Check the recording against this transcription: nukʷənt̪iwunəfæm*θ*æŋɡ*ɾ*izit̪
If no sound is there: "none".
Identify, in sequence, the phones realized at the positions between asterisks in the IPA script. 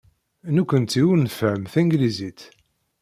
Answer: θ, l

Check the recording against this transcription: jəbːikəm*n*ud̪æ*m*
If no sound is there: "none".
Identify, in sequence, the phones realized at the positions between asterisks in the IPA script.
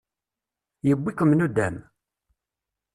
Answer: n, m

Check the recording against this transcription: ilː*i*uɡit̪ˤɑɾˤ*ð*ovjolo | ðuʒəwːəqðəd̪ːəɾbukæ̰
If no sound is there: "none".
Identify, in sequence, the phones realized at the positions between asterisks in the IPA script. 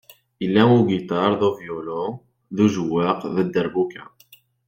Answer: æ, ð

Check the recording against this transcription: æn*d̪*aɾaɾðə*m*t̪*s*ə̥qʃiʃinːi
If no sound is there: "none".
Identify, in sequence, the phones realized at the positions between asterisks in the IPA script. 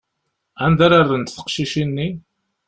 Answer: d̪, n, θ

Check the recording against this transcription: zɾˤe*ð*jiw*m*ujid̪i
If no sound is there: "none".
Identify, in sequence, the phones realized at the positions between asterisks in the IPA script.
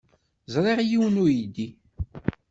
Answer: ʁ, n

